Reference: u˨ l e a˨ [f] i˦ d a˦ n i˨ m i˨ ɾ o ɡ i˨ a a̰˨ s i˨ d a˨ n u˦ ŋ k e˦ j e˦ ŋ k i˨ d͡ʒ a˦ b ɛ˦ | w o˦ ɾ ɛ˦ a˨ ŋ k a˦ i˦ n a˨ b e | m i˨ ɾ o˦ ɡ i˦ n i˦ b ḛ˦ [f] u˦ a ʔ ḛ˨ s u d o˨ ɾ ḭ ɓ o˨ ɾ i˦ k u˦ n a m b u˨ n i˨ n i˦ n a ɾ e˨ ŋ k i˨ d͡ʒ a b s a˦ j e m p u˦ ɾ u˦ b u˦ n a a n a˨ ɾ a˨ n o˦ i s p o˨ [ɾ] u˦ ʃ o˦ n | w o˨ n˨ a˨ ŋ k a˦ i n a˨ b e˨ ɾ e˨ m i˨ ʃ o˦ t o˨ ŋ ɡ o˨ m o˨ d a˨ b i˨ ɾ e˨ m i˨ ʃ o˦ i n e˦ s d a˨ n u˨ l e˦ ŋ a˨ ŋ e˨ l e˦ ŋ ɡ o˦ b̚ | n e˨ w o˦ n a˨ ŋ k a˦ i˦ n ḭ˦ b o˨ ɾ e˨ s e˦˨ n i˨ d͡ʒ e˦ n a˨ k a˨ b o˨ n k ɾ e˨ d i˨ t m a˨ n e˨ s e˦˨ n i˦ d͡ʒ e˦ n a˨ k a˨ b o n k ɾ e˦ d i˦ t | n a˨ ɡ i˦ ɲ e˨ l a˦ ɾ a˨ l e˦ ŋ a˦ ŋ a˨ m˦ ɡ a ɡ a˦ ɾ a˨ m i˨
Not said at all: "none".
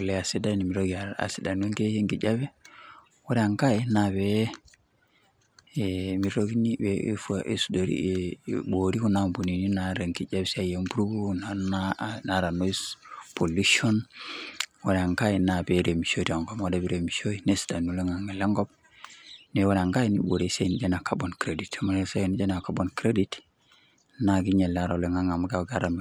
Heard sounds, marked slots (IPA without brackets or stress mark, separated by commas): s, f, l